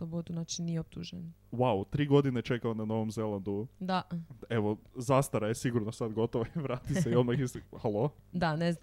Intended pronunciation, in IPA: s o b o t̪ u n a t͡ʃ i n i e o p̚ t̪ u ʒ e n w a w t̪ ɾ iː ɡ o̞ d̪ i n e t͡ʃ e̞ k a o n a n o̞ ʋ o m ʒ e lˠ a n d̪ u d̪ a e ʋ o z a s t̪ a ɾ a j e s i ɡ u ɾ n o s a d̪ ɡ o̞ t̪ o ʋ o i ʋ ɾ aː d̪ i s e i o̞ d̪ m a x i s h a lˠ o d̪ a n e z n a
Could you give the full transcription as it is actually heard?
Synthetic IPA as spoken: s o b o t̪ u n a t͡ʃ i n i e o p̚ t̪ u ʒ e n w a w t̪ ɾ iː ɡ o̞ d̪ i n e t͡ʃ e̞ k a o n a n o̞ ʋ o m z e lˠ a n d̪ u d̪ a e ʋ o z a s t̪ a ɾ a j e s i ɡ u ɾ n o s a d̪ ɡ o̞ t̪ o ʋ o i ʋ ɾ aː t̪ i s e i o̞ d̪ m a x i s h a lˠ o d̪ a n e z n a